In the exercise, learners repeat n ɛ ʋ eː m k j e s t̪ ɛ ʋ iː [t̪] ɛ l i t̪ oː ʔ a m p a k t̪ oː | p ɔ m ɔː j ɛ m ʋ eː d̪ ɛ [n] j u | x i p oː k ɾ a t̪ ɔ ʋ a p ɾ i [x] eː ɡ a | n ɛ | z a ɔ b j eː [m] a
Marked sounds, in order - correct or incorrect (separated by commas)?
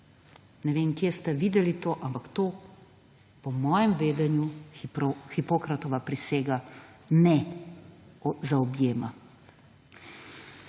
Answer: incorrect, correct, incorrect, correct